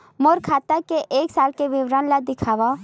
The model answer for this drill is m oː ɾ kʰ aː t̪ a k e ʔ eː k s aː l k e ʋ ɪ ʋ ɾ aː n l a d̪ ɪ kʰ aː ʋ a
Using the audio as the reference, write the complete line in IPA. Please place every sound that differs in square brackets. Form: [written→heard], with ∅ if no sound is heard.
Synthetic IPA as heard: m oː ɾ kʰ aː t̪ a k e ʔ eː k s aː l k e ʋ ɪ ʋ ɾ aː n l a d̪ ɪ kʰ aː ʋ a